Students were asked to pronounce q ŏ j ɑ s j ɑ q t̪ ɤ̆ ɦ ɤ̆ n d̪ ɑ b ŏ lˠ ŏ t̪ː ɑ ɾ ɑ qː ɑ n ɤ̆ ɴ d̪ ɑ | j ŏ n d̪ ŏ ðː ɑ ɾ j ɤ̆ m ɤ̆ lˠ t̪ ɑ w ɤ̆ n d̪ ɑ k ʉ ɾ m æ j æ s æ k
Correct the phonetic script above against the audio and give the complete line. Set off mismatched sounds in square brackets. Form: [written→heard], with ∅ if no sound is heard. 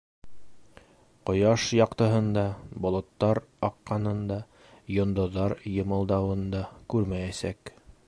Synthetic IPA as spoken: q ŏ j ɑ [s→ʃ] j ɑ q t̪ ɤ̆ ɦ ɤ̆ n d̪ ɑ b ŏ lˠ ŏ t̪ː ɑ ɾ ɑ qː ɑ n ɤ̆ [ɴ→n] d̪ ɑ | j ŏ n d̪ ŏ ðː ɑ ɾ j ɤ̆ m ɤ̆ lˠ [t̪→d̪] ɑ w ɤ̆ n d̪ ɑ k ʉ ɾ m æ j æ s æ k